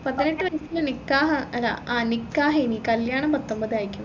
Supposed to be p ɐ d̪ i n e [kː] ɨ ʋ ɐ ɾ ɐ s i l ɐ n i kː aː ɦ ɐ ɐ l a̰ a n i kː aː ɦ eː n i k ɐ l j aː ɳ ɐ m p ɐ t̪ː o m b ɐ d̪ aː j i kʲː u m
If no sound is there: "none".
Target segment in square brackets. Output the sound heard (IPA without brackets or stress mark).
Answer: ʈː